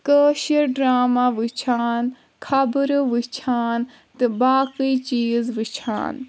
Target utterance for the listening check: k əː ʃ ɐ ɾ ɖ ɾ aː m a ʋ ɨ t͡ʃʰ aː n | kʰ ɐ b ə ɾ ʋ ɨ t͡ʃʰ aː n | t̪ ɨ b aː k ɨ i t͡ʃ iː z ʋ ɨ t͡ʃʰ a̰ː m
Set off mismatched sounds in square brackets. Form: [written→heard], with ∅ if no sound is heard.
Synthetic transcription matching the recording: k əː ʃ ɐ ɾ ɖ ɾ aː m a ʋ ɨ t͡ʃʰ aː n | kʰ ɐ b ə ɾ ʋ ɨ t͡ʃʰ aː n | t̪ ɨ b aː k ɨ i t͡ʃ iː z ʋ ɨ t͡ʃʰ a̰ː [m→n]